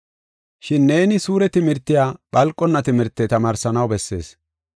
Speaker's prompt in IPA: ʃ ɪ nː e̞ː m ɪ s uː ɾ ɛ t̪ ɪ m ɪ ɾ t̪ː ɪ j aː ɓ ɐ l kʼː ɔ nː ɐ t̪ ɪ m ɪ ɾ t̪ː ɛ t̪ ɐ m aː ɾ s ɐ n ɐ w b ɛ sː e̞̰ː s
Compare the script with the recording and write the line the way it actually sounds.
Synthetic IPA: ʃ ɪ nː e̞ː n ɪ s uː ɾ ɛ t̪ ɪ m ɪ ɾ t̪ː ɪ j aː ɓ ɐ l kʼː ɔ nː ɐ t̪ ɪ m ɪ ɾ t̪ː ɛ t̪ ɐ m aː ɾ s ɐ n ɐ w b ɛ sː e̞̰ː s